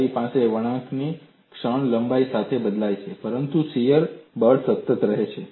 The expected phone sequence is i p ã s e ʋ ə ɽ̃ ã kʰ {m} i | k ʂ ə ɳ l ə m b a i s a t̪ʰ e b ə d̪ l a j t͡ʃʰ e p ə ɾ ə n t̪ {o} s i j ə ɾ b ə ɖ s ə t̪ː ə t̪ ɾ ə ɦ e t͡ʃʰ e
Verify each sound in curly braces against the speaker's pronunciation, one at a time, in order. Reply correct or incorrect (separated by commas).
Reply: incorrect, incorrect